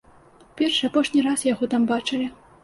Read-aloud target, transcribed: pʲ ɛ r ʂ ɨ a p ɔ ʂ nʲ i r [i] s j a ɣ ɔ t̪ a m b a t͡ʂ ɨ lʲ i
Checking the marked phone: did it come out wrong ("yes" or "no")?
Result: yes